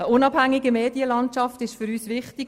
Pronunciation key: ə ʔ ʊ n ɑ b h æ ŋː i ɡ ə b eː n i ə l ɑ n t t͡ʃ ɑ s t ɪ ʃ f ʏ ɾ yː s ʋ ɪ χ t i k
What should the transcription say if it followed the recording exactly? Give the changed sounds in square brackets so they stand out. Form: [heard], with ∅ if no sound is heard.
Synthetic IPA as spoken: ə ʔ ʊ n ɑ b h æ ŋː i ɡ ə [m] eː [d] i ə l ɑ n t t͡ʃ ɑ [f] t ɪ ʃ f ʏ ɾ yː s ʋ ɪ χ t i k